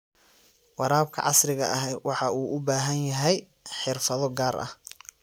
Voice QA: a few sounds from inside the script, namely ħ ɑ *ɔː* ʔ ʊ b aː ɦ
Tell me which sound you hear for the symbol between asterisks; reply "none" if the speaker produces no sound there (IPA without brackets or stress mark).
uː